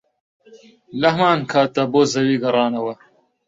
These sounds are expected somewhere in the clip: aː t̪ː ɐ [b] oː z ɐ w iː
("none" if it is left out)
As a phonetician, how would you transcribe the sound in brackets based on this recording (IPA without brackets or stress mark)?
b